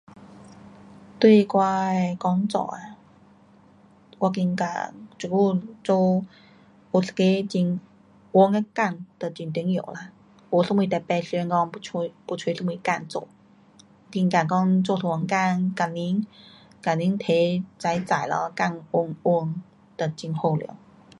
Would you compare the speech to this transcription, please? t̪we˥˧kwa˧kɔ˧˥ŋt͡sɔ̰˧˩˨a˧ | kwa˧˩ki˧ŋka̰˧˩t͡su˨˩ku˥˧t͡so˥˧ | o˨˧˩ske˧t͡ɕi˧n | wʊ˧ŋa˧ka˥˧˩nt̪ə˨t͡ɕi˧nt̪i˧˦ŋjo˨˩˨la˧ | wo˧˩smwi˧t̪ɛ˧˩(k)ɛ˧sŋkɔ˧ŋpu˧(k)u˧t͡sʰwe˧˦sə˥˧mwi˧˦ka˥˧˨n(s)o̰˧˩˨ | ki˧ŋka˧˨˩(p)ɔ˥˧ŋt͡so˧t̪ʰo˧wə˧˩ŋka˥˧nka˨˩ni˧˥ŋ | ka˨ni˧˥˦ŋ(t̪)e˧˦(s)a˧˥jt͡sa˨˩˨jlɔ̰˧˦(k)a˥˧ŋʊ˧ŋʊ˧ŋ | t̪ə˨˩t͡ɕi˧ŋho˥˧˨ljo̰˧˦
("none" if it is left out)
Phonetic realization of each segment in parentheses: p, p, t͡s, k, t̪ʰ, t͡s, k

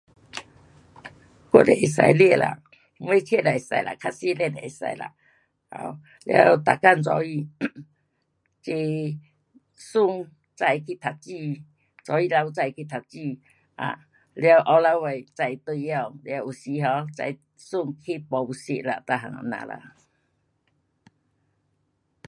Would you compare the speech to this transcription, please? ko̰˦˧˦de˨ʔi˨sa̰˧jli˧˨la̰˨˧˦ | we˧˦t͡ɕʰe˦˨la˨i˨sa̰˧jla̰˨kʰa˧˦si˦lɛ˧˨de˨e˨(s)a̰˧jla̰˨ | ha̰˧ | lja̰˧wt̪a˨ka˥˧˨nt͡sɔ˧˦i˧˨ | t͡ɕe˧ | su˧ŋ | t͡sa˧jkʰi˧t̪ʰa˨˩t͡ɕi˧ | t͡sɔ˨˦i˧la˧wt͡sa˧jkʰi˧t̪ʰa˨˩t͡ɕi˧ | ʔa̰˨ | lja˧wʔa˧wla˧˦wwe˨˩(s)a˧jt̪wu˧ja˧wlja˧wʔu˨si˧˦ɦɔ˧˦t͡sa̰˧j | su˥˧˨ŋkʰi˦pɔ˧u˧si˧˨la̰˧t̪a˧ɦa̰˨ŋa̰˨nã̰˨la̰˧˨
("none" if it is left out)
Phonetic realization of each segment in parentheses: s, t͡s

